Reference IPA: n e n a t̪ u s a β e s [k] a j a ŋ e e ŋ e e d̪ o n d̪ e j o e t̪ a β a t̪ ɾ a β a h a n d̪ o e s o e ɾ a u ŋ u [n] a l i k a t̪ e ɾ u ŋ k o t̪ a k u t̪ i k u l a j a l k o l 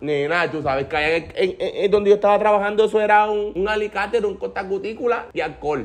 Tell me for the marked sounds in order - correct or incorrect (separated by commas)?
correct, incorrect